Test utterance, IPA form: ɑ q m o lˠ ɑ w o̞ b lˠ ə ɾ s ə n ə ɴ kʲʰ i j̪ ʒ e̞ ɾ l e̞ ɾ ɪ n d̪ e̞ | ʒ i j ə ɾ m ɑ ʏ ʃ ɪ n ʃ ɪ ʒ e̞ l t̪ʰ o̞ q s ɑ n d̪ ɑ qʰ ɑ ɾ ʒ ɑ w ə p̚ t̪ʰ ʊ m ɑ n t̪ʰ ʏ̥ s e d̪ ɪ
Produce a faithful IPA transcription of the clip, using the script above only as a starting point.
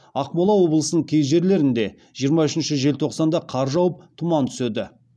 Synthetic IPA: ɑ q m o lˠ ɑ w o̞ b lˠ ə s ə n ə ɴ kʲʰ e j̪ ʒ e̞ ɾ l e̞ ɾ ɪ n d̪ e̞ | ʒ i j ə ɾ m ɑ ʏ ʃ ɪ n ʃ ɪ ʒ e̞ l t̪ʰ o̞ q s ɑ n d̪ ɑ qʰ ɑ ɾ ʒ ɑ w ə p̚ t̪ʰ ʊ m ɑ n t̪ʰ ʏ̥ s e d̪ ɪ